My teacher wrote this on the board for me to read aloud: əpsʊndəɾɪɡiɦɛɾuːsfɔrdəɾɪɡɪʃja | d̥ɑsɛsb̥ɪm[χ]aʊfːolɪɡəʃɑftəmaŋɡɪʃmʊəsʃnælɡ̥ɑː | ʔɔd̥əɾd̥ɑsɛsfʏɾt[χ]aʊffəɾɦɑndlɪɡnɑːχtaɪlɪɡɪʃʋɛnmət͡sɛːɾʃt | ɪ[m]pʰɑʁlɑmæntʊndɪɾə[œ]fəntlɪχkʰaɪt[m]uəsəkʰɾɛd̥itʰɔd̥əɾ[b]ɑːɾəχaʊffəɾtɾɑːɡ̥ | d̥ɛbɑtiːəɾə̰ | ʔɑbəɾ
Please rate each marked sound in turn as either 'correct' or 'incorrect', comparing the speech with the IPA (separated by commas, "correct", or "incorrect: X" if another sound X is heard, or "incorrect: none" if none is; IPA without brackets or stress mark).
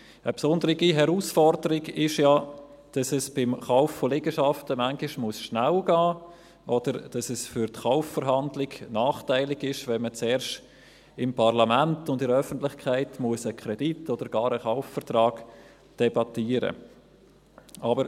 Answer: correct, correct, correct, correct, correct, incorrect: ɡ